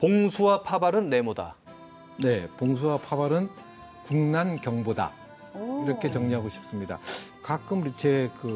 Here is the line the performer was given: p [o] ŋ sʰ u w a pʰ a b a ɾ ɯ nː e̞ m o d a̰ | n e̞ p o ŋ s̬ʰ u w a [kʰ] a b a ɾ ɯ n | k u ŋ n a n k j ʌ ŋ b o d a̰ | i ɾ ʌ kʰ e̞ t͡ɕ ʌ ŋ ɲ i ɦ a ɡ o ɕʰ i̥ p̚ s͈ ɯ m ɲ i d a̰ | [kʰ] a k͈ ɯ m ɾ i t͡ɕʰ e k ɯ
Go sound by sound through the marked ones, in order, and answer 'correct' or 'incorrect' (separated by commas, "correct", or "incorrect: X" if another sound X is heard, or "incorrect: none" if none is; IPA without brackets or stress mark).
correct, incorrect: pʰ, incorrect: k